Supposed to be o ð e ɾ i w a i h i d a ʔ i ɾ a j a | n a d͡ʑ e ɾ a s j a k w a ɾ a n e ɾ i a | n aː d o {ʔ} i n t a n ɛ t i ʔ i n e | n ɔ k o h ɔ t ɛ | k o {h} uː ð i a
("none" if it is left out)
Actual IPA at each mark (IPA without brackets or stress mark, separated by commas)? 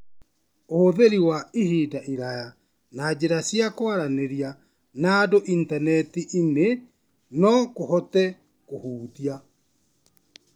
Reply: ʔ, h